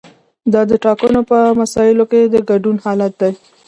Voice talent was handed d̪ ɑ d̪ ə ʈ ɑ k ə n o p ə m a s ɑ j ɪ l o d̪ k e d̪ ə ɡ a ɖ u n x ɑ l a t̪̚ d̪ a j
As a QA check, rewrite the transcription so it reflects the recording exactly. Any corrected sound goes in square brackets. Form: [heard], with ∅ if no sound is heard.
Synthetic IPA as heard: d̪ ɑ d̪ ə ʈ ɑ k ə n o p ə m a s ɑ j ɪ l o [∅] k e d̪ ə ɡ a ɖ u n [h] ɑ l a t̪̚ d̪ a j